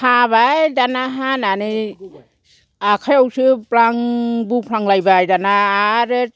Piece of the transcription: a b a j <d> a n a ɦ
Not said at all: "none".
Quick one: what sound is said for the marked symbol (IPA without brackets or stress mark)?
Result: d